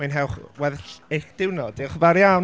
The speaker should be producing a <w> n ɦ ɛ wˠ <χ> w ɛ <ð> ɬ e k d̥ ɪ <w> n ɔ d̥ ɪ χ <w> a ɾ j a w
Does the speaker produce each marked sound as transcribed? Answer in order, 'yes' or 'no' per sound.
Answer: no, yes, yes, yes, no

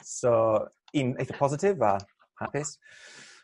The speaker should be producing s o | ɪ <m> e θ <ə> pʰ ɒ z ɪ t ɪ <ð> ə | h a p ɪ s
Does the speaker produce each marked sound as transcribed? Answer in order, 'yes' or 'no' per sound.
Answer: no, yes, no

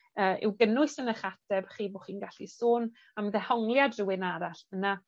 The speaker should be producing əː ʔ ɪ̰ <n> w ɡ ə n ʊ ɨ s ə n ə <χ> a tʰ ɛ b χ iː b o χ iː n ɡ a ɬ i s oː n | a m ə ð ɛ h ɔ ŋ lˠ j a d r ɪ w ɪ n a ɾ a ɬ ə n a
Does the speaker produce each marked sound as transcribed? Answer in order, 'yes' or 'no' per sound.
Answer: no, yes

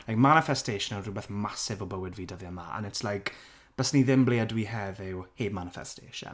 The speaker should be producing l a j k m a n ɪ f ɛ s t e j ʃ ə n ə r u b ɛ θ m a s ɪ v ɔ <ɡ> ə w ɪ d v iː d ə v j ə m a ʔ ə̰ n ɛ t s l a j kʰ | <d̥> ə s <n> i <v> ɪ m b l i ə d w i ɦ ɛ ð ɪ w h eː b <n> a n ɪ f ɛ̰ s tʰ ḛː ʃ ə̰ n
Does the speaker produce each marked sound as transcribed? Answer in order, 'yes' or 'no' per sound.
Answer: no, no, yes, no, no

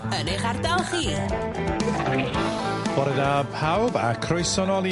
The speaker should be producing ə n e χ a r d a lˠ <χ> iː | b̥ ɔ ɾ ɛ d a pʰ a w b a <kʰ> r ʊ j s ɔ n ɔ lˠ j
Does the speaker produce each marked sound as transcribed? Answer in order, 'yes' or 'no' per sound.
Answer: yes, yes

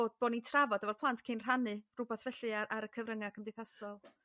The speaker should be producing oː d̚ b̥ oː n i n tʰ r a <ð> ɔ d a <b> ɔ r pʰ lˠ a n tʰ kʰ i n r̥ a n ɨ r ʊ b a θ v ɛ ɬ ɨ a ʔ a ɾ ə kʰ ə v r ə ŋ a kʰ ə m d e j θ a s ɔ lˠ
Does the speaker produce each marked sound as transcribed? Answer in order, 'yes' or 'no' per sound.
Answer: no, no

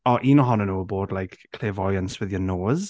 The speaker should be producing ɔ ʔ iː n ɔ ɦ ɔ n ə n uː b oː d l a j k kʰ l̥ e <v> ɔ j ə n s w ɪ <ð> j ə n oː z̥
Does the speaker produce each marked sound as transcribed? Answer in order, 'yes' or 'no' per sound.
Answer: yes, yes

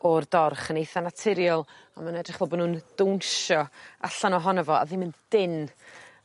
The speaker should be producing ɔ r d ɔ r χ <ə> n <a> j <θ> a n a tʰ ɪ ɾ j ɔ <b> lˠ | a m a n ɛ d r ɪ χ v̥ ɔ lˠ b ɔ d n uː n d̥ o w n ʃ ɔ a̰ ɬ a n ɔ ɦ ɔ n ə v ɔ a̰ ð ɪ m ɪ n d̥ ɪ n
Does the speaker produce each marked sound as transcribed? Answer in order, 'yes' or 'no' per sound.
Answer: yes, no, yes, no

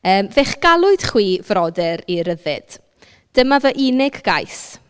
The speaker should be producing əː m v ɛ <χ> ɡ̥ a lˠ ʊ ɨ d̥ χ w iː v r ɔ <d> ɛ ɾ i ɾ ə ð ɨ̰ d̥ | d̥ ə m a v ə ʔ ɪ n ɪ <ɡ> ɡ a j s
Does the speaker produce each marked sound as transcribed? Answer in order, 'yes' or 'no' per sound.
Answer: yes, yes, yes

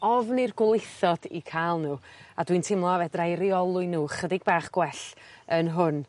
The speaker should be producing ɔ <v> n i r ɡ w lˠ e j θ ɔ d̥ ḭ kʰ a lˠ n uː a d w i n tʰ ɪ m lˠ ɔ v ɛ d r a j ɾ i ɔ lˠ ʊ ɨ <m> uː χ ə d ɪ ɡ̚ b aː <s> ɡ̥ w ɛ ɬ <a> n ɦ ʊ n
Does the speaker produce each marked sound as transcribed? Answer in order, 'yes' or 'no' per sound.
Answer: yes, no, no, no

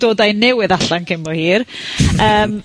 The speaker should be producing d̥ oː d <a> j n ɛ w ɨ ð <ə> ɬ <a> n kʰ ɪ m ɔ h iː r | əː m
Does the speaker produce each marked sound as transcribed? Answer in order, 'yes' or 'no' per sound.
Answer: yes, no, yes

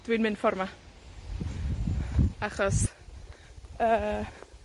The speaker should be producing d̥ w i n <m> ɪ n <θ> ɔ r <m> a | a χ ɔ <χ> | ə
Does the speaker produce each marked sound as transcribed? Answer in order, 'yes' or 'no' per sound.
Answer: yes, no, yes, no

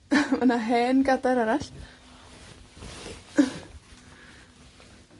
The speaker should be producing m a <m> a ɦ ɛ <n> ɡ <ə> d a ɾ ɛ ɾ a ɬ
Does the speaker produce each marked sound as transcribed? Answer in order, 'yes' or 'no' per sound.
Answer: no, yes, no

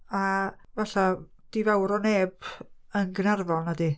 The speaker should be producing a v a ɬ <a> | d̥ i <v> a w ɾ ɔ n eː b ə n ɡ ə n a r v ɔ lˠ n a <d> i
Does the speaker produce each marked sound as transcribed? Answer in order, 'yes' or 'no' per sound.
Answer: yes, yes, yes

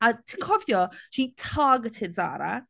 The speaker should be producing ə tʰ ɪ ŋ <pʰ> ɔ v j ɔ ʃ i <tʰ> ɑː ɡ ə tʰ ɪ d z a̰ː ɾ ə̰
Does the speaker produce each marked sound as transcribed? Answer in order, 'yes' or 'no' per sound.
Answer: no, yes

